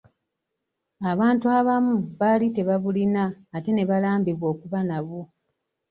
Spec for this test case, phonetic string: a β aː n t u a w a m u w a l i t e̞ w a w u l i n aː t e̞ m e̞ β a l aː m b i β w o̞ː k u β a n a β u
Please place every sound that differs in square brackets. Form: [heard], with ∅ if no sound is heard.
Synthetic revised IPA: a β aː n t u a [β] a m u [β] a l i t e̞ [β] a [β] u l i n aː t e̞ [n] e̞ β a l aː m b i β w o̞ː k u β a n a β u